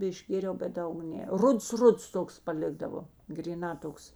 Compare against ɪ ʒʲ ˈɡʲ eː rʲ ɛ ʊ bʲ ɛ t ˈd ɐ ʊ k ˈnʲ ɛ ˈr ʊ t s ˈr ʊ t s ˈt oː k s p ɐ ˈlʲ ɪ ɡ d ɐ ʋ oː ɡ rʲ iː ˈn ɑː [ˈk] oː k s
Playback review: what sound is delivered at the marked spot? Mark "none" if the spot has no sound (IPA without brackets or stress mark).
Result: t